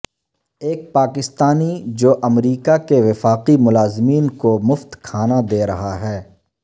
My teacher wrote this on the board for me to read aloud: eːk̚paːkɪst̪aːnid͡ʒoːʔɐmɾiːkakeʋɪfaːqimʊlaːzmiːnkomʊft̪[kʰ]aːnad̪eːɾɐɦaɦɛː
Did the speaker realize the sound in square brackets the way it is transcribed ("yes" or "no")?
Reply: yes